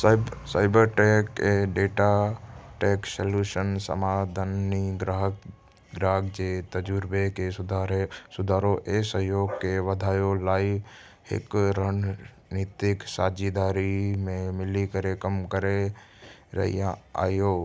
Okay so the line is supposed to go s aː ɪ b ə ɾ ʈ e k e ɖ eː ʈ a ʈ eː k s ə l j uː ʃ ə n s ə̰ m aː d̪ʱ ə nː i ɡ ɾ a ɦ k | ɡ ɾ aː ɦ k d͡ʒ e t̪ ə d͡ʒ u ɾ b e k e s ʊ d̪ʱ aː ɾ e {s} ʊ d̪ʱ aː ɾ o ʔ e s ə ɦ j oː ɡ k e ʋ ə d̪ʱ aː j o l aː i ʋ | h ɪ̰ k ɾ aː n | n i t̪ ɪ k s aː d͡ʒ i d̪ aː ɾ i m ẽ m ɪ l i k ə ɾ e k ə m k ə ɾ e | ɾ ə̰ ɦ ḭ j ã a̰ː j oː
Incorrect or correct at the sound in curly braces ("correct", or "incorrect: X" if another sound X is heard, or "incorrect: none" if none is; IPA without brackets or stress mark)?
correct